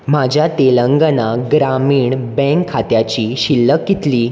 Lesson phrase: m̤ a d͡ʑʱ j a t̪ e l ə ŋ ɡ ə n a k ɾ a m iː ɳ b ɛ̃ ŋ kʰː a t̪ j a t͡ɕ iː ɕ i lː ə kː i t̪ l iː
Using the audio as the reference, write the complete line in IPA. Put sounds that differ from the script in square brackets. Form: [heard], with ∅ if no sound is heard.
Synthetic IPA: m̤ a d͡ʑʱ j a t̪ e l ə ŋ ɡ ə n a [ɡ] ɾ a m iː ɳ b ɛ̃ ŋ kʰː a t̪ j a t͡ɕ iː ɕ i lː ə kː i t̪ l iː